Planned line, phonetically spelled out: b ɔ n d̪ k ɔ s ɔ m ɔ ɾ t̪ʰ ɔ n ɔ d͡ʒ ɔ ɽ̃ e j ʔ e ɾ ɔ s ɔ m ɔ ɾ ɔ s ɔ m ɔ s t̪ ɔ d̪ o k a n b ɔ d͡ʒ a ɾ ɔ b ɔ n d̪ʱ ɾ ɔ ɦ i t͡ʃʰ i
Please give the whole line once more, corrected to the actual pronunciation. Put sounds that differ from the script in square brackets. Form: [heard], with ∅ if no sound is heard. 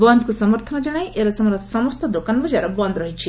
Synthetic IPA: b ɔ n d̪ k [u] s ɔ m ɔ ɾ t̪ʰ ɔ n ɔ d͡ʒ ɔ ɽ̃ [a] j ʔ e ɾ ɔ s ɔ m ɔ ɾ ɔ s ɔ m ɔ s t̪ ɔ d̪ o k a n b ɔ d͡ʒ a ɾ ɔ b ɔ n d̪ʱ ɾ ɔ ɦ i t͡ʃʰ i